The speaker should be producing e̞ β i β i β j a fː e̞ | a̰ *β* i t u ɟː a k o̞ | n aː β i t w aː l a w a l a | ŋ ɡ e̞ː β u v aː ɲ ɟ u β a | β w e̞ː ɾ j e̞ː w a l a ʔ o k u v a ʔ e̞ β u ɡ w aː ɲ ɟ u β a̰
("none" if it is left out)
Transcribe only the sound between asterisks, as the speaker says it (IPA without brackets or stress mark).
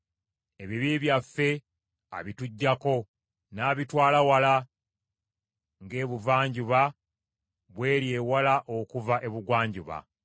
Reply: β